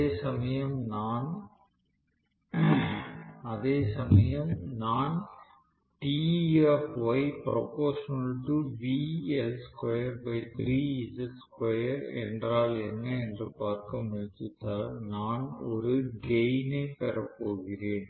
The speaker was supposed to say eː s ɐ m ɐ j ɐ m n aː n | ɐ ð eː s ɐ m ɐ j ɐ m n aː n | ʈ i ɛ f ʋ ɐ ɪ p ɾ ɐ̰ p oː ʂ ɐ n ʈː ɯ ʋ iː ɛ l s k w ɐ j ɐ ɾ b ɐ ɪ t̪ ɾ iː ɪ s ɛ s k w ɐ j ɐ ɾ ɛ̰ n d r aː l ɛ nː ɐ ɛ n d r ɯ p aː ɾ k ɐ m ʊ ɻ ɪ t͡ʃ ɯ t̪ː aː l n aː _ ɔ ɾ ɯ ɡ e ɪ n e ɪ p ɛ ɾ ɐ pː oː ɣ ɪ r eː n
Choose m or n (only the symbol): n